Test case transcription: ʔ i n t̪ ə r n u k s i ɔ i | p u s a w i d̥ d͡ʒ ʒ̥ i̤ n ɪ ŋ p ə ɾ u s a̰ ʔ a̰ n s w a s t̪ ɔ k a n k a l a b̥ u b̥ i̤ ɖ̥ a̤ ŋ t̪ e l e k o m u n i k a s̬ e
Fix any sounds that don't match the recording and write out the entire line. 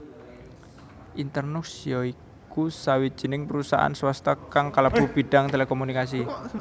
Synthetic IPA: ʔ i n t̪ ə r n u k s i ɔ i | k u s a w i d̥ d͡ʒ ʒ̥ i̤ n ɪ ŋ p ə ɾ u s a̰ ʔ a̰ n s w a s t̪ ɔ k a ŋ k a l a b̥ u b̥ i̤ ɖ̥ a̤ ŋ t̪ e l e k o m u n i k a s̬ i